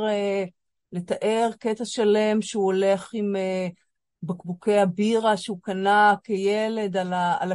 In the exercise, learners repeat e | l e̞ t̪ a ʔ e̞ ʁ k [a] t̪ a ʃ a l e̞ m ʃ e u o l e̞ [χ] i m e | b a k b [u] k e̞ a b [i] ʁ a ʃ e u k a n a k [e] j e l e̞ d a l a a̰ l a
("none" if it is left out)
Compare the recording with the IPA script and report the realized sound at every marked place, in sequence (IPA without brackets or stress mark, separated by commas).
e, χ, u, i, e